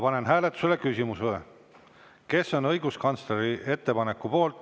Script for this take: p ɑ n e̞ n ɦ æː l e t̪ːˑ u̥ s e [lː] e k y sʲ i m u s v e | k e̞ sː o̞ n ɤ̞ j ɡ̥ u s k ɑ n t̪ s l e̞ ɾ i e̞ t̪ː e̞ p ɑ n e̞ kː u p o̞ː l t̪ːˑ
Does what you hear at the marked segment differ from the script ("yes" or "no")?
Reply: yes